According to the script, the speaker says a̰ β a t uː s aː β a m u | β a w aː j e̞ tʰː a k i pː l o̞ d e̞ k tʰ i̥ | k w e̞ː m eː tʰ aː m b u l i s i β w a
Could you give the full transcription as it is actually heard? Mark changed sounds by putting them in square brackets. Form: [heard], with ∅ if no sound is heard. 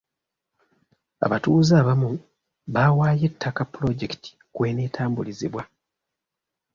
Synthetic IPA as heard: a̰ β a t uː [z] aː β a m u | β a w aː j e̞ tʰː a k [a] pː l o̞ [ɟ] e̞ k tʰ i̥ | k w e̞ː [n] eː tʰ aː m b u l i [z] i β w a